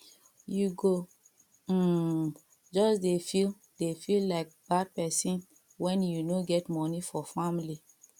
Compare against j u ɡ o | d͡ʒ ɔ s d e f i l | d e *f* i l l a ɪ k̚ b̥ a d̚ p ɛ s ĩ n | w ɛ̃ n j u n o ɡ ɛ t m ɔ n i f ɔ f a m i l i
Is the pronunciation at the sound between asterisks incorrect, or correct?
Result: correct